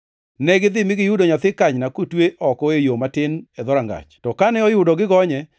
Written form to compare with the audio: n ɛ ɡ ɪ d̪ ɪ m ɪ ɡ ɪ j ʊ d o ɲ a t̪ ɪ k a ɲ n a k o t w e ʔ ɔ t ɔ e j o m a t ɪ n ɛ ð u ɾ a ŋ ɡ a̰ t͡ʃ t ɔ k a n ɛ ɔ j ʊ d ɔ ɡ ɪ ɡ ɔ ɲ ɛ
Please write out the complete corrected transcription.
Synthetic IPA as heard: n ɛ ɡ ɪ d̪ ɪ m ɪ ɡ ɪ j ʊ d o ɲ a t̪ ɪ k a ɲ n a k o t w e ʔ ɔ k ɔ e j o m a t ɪ n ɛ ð ɔ ɾ a ŋ ɡ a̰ t͡ʃ t ɔ k a n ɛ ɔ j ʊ d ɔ ɡ ɪ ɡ ɔ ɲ ɛ